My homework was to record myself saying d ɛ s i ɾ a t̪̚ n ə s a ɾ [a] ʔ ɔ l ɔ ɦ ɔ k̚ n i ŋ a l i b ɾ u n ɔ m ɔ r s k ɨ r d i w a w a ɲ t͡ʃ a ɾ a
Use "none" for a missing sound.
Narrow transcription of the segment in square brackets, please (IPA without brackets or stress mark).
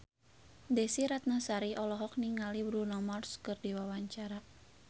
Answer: i